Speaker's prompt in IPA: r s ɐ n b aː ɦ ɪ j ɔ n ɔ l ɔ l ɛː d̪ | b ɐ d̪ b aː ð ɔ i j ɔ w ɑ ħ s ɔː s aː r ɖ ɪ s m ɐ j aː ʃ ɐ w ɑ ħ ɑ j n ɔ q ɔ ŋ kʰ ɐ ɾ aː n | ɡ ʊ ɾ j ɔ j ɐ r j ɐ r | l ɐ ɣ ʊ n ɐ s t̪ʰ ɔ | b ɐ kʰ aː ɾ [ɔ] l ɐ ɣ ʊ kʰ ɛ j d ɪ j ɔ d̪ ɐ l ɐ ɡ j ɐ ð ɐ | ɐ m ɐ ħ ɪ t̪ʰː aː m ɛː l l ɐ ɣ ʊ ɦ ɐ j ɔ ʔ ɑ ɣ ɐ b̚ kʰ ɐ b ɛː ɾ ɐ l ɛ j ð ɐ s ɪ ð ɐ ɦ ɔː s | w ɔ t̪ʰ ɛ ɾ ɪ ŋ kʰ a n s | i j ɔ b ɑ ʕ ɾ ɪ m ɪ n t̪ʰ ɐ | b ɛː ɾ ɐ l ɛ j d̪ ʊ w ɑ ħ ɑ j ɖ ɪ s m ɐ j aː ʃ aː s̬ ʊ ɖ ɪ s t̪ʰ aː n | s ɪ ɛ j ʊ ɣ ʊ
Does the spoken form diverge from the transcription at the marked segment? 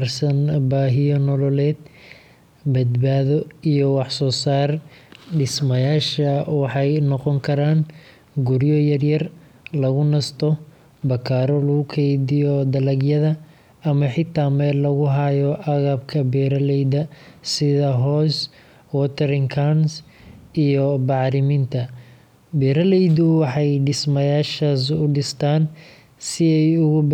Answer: no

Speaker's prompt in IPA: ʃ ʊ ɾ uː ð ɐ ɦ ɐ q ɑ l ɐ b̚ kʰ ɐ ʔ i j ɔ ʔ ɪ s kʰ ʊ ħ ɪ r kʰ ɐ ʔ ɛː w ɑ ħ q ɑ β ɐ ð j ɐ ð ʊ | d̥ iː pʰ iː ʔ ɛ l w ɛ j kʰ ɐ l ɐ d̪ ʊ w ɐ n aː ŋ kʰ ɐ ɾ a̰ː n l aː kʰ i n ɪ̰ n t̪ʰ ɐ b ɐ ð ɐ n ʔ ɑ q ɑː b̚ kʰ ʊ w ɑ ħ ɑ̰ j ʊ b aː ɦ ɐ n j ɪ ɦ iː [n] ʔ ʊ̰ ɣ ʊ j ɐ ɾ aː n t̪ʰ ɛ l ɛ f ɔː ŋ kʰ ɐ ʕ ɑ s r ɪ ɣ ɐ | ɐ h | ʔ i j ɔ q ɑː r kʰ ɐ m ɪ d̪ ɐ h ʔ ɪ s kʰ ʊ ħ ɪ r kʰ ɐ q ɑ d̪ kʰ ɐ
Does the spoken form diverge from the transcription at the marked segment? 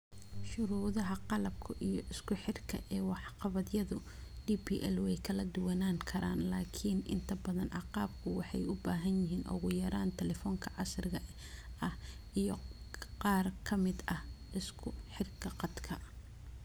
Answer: no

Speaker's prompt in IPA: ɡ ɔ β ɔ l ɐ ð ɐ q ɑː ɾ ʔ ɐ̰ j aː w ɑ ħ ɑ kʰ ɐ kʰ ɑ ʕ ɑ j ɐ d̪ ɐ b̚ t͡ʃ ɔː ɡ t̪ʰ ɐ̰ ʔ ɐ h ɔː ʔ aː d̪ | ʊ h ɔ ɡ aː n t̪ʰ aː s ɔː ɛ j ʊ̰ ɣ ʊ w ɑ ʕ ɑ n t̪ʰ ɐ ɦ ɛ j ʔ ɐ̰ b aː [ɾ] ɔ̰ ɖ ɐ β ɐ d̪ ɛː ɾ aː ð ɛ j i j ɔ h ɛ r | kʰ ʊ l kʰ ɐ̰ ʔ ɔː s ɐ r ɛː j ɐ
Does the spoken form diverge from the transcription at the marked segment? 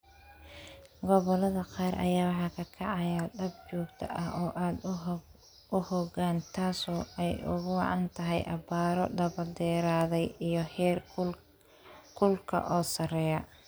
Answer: no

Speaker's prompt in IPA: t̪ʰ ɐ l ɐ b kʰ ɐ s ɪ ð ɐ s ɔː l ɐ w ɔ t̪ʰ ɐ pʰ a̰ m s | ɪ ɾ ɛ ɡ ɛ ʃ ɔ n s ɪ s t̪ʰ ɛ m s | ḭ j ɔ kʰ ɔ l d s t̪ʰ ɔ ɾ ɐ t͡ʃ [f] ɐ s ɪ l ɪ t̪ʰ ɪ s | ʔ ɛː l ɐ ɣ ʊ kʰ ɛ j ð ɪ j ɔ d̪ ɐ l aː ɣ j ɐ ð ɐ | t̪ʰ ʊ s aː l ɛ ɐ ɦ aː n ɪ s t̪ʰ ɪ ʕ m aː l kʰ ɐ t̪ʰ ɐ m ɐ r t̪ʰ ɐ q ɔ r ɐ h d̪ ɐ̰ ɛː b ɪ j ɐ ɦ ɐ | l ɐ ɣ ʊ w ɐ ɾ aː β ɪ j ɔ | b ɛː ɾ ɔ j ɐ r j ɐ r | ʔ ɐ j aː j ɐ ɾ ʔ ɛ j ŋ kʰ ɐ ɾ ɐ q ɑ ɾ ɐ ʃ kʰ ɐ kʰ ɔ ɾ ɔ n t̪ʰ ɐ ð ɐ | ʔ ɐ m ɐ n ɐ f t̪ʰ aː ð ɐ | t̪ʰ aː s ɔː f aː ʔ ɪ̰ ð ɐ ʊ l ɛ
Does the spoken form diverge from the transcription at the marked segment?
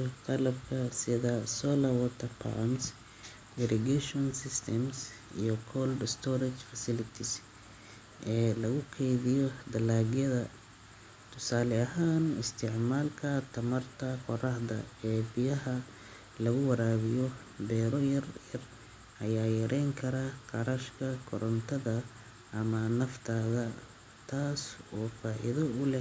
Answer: no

